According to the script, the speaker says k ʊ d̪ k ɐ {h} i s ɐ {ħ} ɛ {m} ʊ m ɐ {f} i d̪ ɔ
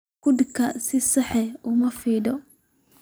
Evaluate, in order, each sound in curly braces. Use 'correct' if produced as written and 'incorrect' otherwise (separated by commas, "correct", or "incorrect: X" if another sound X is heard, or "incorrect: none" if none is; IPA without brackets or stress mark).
incorrect: s, correct, incorrect: none, correct